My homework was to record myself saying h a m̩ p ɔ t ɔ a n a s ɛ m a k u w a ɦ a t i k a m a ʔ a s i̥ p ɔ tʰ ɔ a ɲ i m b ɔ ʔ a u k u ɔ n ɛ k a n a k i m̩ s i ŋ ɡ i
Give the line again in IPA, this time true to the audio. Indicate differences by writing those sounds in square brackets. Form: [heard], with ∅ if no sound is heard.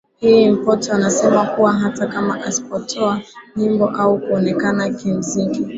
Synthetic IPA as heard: h [i] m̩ p ɔ t ɔ a n a s ɛ m a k u w a ɦ a t [a] k a m a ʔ a s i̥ p ɔ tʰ ɔ a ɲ i m b ɔ ʔ a u k u ɔ n ɛ k a n a k i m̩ [z] i ŋ ɡ i

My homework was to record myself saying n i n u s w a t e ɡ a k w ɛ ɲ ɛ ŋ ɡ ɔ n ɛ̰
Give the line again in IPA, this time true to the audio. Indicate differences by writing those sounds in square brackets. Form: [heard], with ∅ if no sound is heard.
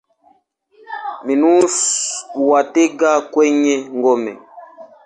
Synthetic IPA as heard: [m] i n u s w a t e ɡ a k w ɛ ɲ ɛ ŋ ɡ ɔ [m] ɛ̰

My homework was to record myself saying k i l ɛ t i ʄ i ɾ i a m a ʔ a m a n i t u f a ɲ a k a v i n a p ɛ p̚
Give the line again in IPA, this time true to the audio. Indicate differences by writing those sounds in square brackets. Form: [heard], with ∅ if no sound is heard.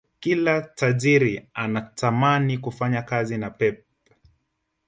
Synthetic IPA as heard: k i l [a] t [a] ʄ i ɾ i a [n] a [t] a m a n i [k] u f a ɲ a k a [z] i n a p ɛ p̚

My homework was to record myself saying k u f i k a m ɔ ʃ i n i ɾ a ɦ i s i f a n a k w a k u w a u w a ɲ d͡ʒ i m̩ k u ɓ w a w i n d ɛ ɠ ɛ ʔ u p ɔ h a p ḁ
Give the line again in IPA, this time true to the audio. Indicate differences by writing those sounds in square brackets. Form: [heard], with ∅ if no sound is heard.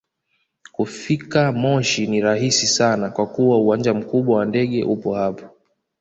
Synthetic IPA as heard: k u f i k a m ɔ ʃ i n i ɾ a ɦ i s i [s] a n a k w a k u w a u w a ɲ d͡ʒ [a] m̩ k u ɓ w a w [a] n d ɛ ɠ ɛ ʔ u p ɔ h a p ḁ

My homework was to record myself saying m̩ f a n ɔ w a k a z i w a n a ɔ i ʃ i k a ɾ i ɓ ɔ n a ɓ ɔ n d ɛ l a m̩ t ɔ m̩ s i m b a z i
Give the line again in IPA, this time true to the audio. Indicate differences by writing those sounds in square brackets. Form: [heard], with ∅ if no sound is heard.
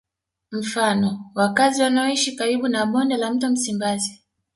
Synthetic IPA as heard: m̩ f a n ɔ w a k a z i w a n a ɔ i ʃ i k a ɾ i ɓ [u] n a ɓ ɔ n d ɛ l a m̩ t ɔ m̩ s i m b a z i

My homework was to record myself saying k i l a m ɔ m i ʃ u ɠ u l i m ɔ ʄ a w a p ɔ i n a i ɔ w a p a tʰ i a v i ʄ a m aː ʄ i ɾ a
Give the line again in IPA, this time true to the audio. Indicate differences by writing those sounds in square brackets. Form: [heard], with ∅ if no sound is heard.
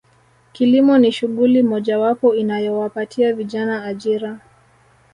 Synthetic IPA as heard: k i l [i] m ɔ [n] i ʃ u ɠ u l i m ɔ ʄ a w a p ɔ i n a [j] ɔ w a p a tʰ i a v i ʄ a [n] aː ʄ i ɾ a

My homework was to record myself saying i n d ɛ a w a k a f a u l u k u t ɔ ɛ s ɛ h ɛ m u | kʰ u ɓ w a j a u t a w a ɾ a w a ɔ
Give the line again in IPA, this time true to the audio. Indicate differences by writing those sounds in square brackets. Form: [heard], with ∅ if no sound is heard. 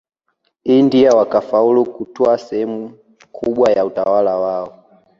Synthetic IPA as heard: i n d [i] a w a k a f a u l u k u t ɔ [a] s ɛ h ɛ m u | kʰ u ɓ w a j a u t a w a [l] a w a ɔ

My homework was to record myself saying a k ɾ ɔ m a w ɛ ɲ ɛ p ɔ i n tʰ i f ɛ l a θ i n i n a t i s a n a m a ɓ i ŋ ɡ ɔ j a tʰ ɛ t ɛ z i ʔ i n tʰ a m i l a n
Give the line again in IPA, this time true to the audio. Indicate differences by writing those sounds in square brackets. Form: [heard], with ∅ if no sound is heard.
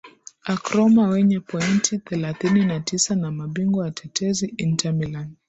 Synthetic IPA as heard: a k ɾ ɔ m a w ɛ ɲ ɛ p ɔ i n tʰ i [θ] ɛ l a θ i n i n a t i s a n a m a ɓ i ŋ ɡ ɔ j a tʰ ɛ t ɛ z i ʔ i n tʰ a m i l a n

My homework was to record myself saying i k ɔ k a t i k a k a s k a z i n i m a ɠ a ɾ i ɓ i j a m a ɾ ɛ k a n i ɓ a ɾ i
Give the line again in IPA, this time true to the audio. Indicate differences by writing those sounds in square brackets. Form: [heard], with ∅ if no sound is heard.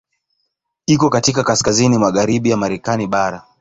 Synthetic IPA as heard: i k ɔ k a t i k a k a s k a z i n i m a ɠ a ɾ i ɓ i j a m a ɾ ɛ k a n i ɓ a ɾ [a]

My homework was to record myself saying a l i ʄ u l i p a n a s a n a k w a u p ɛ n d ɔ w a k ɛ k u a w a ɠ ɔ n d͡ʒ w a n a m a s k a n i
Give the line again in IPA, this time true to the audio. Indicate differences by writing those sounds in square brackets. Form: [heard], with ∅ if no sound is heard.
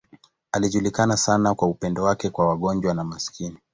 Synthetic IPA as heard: a l i ʄ u l i [k] a n a s a n a k w a u p ɛ n d ɔ w a k ɛ k [w] a w a ɠ ɔ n d͡ʒ w a n a m a s k [i] n i

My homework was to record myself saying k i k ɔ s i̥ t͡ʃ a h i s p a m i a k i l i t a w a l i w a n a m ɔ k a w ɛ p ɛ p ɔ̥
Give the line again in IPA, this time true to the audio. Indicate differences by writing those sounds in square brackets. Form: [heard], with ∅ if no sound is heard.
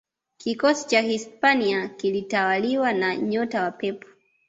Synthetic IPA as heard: k i k ɔ s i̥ t͡ʃ a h i s p a [n] i a k i l i t a w a l i w a n a [ɲ] ɔ [t] a w [a] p ɛ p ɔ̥

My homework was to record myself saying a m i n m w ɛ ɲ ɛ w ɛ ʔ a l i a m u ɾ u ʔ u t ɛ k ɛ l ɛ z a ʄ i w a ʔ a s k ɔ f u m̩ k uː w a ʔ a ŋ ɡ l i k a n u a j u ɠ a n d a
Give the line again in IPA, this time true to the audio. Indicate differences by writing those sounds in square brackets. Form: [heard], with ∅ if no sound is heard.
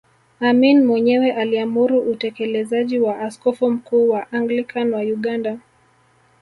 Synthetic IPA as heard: a m i n m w ɛ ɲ ɛ w ɛ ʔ a l i a m u ɾ u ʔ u t ɛ k ɛ l ɛ z a ʄ i w a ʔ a s k ɔ f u m̩ k uː w a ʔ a ŋ ɡ l i k a n [w] a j u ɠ a n d a

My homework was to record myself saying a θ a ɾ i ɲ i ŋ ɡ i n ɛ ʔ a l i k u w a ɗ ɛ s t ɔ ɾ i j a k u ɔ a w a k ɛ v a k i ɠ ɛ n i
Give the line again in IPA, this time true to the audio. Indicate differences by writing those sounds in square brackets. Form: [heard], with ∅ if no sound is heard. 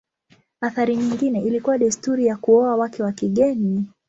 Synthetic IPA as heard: a θ a ɾ i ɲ i ŋ ɡ i n ɛ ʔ [i] l i k u w a ɗ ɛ s t [u] ɾ i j a k u ɔ a w a k ɛ [w] a k i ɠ ɛ n i

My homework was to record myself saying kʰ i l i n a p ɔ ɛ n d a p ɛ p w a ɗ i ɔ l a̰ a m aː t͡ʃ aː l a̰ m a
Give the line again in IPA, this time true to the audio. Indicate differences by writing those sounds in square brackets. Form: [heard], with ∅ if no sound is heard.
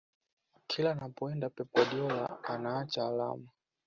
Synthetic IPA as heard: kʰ i l [a] n a p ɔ ɛ n d a p ɛ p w a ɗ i ɔ l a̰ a [n] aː t͡ʃ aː l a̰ m a

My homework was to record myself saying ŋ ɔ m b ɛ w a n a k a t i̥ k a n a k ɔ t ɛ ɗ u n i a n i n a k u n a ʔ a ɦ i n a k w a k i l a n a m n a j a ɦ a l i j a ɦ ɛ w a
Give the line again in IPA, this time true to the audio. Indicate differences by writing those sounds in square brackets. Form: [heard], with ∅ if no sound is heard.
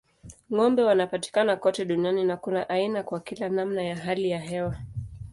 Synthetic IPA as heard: ŋ ɔ m b ɛ w a n a [p] a t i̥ k a n a k ɔ t ɛ ɗ u n i a n i n a k u n a ʔ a [∅] i n a k w a k i l a n a m n a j a ɦ a l i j a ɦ ɛ w a

